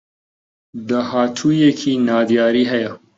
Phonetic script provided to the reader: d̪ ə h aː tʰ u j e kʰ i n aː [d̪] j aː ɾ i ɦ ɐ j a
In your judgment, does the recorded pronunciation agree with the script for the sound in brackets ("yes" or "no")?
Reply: yes